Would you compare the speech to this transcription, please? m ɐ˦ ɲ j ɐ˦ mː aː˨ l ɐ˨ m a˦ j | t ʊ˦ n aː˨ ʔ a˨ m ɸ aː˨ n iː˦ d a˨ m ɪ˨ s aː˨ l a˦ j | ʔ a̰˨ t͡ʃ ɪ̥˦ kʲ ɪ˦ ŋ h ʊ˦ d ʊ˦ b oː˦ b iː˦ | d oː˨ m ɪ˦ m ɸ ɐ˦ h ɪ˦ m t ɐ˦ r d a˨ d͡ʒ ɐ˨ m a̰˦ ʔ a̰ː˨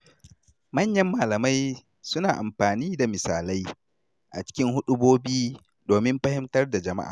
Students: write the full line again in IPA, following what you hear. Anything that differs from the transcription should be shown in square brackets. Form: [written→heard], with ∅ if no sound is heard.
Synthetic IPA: m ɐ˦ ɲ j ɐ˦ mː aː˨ l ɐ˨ m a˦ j | [t→s] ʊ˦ n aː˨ ʔ a˨ m ɸ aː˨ n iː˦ d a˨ m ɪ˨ s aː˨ l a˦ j | ʔ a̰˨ t͡ʃ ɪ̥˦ kʲ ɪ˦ ŋ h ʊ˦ [d→ɗ] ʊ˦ b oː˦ b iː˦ | d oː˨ m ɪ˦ m ɸ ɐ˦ h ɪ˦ m t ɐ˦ r d a˨ d͡ʒ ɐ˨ m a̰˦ ʔ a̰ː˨